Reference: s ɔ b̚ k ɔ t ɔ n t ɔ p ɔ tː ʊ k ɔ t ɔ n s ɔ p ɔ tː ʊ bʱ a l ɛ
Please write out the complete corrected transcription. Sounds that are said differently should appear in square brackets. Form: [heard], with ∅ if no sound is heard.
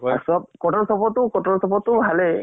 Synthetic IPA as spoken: s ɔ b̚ k ɔ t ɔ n [s] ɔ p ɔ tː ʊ k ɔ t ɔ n s ɔ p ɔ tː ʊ bʱ a l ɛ

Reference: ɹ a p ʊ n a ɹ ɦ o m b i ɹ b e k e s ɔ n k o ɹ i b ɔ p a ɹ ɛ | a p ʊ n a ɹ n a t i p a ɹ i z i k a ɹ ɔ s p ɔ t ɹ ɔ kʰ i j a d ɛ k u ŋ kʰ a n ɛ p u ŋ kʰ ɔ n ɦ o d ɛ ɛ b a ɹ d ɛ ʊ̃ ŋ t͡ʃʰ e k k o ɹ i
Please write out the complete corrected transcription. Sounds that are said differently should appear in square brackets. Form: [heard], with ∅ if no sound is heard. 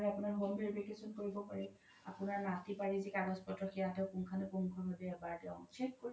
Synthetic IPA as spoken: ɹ a p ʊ n a ɹ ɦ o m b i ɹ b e k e s ɔ n k o ɹ i b ɔ p a ɹ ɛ | a p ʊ n a ɹ n a t i p a ɹ i z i k a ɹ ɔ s p ɔ t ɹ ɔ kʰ i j a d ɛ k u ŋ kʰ a n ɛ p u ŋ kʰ ɔ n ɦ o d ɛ ɛ b a ɹ d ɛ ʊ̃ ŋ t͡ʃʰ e k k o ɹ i

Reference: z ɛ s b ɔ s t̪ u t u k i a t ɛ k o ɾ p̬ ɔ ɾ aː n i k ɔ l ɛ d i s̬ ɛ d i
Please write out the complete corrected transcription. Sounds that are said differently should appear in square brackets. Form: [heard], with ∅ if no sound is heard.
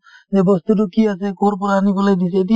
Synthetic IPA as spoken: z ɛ [∅] b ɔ s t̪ u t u k i a [s] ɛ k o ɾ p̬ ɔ ɾ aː n i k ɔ l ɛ d i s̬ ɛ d i

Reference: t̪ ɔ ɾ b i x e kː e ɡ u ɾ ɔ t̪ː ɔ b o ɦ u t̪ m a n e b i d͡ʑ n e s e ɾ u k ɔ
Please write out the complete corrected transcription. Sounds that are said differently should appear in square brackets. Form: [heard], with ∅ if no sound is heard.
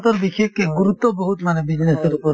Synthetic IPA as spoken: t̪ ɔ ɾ b i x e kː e ɡ u ɾ [u] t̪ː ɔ b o ɦ u t̪ m a n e b i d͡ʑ n e s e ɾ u [p] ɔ

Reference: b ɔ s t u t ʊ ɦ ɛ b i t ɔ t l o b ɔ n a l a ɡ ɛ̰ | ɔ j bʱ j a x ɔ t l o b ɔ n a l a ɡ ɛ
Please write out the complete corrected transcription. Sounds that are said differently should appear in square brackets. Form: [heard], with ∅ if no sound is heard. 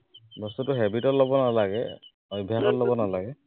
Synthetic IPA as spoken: b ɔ s t u t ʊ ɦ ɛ b i t ɔ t l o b ɔ n a l a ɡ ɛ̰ | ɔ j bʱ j a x ɔ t l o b ɔ n a l a ɡ ɛ

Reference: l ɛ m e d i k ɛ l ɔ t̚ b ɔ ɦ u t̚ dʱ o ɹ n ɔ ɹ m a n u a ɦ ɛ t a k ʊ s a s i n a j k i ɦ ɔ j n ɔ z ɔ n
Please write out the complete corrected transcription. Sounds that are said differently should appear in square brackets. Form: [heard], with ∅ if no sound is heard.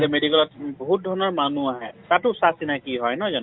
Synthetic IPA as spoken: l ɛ m e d i k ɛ l ɔ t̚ b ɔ ɦ u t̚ dʱ [ɔ] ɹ n ɔ ɹ m a n u a ɦ ɛ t a [t] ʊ s a s i n a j k i ɦ ɔ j n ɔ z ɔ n

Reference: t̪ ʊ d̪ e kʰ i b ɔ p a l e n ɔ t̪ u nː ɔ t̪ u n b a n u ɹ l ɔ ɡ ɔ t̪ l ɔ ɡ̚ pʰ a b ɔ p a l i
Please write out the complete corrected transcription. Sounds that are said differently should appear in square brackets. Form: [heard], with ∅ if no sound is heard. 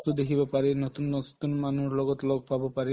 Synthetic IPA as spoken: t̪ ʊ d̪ e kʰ i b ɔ p a [ɹ] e n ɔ t̪ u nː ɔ t̪ u n [m] a n u ɹ l ɔ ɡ ɔ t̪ l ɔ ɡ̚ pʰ a b ɔ p a [ɹ] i

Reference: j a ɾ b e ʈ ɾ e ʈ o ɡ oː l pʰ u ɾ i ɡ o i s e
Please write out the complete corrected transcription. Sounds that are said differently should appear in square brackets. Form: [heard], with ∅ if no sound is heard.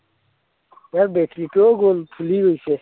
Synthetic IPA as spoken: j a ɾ b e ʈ ɾ [i] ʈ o ɡ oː l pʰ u [l] i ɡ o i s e

